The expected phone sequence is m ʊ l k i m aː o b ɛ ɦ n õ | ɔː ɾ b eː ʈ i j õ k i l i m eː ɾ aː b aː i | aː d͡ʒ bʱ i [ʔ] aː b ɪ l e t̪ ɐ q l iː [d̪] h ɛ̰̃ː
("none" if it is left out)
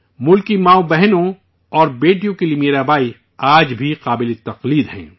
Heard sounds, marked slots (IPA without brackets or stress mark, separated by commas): q, d̪